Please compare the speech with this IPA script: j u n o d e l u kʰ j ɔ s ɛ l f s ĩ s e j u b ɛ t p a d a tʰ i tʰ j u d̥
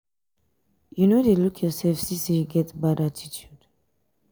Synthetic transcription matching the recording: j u n o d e l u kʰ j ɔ s ɛ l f s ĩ s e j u ɡ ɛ t b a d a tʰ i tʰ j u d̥